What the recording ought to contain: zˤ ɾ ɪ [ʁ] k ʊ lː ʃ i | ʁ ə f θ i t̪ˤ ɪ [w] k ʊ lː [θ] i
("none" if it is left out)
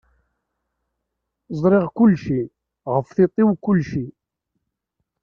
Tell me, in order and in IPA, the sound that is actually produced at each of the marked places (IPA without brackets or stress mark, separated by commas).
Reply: ʁ, w, ʃ